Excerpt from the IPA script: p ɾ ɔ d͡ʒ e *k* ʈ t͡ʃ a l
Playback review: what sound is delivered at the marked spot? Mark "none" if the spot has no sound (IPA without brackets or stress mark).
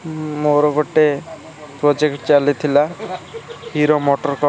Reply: k